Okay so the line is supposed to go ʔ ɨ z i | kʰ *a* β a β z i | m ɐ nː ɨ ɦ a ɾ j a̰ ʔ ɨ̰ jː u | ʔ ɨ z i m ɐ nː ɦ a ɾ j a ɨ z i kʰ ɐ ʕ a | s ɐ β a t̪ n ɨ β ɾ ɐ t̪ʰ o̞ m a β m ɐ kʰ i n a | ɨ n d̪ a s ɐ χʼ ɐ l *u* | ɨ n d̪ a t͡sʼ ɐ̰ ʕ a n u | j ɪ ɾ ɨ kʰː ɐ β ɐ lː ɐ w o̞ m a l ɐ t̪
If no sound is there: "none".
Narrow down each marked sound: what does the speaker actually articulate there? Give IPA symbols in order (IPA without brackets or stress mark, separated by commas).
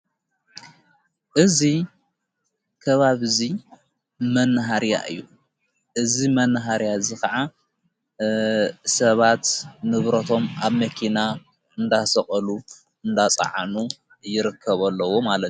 ɐ, u